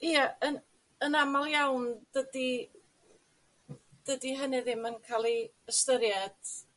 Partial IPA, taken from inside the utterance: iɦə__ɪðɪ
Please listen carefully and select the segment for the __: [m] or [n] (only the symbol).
n